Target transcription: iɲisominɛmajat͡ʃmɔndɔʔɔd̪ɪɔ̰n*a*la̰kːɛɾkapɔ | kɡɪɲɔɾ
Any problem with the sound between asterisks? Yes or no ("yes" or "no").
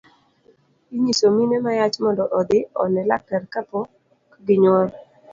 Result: yes